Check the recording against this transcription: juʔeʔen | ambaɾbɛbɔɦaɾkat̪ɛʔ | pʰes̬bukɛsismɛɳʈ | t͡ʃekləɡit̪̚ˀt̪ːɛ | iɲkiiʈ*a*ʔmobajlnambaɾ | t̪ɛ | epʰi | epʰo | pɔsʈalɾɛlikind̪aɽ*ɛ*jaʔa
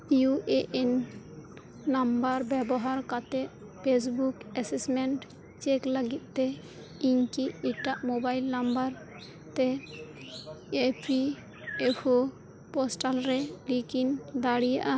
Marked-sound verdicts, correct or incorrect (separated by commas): correct, incorrect